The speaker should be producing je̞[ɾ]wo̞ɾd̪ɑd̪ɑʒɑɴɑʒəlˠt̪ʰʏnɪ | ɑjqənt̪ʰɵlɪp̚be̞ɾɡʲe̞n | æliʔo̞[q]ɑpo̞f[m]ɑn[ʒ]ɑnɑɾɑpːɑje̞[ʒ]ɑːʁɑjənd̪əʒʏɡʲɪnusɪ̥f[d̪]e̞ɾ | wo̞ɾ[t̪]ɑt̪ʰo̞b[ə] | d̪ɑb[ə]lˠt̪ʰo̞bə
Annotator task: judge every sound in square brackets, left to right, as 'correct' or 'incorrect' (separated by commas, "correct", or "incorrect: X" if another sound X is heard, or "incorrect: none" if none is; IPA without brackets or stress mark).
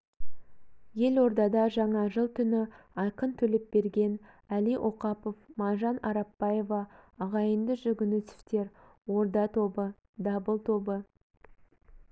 incorrect: l, correct, correct, correct, incorrect: v, incorrect: t̪, incorrect: d̪, correct, correct